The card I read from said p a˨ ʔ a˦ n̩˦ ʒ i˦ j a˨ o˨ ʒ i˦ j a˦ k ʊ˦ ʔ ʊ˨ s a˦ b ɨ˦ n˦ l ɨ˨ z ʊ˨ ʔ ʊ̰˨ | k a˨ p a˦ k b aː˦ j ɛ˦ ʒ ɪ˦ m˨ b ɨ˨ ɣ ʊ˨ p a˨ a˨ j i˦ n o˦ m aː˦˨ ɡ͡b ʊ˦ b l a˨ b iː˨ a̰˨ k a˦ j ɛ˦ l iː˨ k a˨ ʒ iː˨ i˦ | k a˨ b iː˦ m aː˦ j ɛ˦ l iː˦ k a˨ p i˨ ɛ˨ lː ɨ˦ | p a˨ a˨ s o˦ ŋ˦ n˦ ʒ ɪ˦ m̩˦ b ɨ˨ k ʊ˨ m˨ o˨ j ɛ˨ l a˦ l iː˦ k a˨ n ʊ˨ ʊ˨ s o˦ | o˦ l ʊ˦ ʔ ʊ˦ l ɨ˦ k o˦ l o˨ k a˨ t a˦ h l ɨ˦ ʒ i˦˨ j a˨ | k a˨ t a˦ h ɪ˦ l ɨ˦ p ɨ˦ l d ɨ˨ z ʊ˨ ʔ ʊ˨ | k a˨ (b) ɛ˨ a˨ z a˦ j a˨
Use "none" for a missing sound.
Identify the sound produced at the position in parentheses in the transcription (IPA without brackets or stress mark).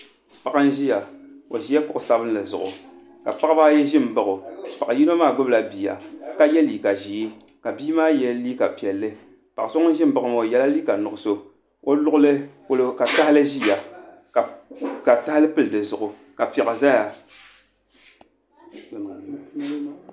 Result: p